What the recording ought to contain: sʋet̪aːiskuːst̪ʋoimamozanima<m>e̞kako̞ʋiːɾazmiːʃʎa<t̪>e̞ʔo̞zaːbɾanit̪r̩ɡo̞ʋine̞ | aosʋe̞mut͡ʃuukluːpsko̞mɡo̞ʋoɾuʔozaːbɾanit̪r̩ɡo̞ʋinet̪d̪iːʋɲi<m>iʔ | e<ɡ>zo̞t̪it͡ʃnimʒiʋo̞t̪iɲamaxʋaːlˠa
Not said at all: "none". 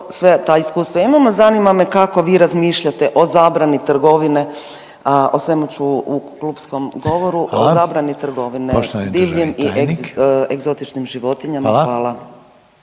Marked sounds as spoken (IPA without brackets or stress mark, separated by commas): m, t̪, m, ɡ